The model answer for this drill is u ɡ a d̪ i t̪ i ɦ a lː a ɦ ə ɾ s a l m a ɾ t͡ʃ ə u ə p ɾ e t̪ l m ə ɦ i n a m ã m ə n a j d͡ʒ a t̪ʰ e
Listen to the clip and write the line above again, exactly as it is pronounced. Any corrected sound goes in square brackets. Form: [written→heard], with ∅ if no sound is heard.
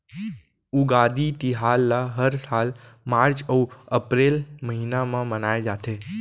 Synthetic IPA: u ɡ a d̪ i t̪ i ɦ a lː a ɦ ə ɾ s a l m a ɾ t͡ʃ ə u ə p ɾ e [t̪→∅] l m ə ɦ i n a m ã m ə n a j d͡ʒ a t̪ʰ e